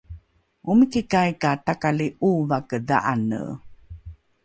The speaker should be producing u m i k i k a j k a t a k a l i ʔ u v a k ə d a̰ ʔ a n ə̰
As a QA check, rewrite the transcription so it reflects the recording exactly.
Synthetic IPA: u m i k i k a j k a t a k a l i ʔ u v a k ə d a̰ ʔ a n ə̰